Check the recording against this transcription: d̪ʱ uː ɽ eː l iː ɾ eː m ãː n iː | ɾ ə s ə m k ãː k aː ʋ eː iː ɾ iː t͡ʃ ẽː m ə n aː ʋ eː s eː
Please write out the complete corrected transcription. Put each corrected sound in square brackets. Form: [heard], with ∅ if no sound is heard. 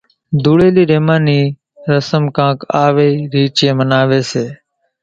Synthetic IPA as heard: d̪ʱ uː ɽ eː l iː ɾ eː m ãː n iː | ɾ ə s ə m k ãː k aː ʋ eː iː ɾ iː t͡ʃ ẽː m ə n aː ʋ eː s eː